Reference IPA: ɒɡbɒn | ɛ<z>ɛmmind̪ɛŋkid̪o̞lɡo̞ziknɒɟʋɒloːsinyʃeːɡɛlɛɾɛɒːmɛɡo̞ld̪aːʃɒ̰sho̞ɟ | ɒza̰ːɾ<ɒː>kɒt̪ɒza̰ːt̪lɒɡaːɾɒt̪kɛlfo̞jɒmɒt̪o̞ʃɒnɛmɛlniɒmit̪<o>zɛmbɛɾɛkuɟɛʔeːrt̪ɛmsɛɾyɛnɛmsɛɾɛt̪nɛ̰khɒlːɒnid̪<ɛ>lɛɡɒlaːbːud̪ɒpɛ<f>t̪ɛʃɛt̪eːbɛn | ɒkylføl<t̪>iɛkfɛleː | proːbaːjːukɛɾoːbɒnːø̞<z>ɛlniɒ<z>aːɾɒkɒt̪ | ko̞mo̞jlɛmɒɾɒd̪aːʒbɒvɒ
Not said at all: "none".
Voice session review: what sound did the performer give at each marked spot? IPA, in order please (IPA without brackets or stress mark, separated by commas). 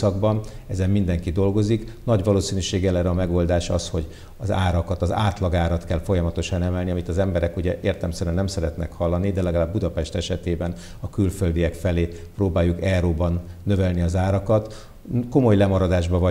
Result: z, ɒ, ɒ, ɛ, ʃ, d̪, v, z